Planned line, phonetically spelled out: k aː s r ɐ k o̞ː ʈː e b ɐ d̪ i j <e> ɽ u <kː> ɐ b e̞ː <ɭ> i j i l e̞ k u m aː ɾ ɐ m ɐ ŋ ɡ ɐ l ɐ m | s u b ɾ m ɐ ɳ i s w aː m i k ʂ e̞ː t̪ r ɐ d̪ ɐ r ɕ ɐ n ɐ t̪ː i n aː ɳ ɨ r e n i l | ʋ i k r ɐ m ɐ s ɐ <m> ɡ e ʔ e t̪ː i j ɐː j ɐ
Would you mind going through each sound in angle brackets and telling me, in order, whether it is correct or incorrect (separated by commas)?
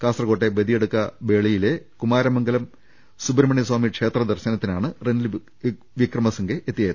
correct, correct, correct, incorrect